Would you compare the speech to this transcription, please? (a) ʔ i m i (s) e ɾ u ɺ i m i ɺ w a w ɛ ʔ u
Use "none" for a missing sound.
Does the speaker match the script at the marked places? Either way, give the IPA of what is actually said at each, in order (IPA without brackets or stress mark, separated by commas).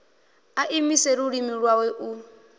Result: a, s